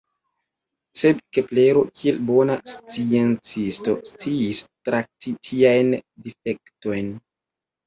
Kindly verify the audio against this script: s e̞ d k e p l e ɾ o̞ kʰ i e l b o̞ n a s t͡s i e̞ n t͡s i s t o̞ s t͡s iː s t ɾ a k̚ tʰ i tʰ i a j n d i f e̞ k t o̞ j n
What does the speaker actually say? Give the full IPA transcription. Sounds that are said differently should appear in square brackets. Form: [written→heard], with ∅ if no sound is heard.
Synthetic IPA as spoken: s e̞ d k e p l e ɾ o̞ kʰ i e l b o̞ n a s t͡s i e̞ n t͡s i s t o̞ s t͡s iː s t ɾ a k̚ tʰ i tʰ i a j n d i f e̞ k t o̞ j n